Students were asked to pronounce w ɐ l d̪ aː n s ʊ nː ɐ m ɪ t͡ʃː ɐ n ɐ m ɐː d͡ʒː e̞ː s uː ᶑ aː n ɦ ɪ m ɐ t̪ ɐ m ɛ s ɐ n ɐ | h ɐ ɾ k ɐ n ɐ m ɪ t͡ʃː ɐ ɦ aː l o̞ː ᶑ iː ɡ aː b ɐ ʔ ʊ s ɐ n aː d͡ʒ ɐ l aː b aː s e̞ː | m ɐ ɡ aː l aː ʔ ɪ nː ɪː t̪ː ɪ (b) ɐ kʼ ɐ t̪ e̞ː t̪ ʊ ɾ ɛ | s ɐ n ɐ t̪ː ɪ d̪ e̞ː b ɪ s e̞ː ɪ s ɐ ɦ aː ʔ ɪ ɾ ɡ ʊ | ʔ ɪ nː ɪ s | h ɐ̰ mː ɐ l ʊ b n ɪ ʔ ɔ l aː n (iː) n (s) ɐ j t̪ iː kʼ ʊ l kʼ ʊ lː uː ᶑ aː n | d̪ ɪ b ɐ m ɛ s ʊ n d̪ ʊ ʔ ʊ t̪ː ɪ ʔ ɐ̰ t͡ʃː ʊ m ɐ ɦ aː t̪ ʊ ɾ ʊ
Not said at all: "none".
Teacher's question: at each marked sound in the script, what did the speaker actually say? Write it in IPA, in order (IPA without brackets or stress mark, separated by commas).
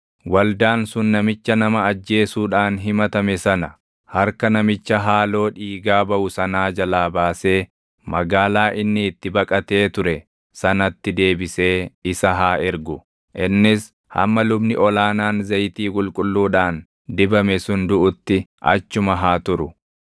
b, aː, z